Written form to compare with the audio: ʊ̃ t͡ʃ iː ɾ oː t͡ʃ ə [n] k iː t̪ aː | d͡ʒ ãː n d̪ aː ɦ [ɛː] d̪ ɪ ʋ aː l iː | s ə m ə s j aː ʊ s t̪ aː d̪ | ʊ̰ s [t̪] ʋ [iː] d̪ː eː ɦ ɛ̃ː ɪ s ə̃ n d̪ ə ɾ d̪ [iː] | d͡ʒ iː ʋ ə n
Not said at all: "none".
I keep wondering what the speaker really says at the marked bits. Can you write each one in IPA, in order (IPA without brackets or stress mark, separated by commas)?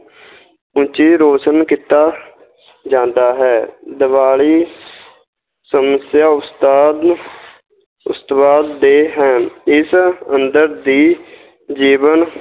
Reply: n, ɛː, t̪, aː, iː